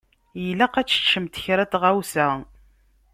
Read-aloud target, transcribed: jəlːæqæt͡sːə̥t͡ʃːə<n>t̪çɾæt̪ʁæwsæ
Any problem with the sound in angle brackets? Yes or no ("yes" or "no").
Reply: yes